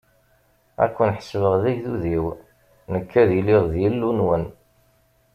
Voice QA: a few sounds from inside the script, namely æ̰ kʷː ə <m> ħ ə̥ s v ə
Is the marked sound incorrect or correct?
incorrect